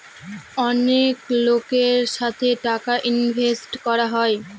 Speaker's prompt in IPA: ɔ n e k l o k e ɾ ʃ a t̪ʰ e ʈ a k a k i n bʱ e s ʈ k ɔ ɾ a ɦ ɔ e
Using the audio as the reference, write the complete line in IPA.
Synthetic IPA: ɔ n e k l o k e ɾ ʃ a t̪ʰ e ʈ a k a ʔ i n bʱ e s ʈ k ɔ ɾ a ɦ ɔ e